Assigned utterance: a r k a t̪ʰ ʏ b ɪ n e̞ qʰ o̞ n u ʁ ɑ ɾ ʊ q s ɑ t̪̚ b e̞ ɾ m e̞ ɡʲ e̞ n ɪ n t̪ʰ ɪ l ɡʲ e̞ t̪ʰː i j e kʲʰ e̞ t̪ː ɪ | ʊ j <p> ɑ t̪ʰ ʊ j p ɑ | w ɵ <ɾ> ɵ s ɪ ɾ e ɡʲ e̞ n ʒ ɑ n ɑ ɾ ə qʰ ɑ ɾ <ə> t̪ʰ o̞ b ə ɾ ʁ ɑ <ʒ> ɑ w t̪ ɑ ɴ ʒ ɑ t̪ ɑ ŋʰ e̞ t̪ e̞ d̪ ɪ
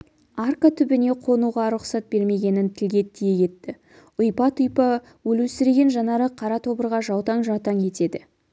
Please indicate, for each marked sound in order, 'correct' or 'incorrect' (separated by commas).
correct, incorrect, incorrect, correct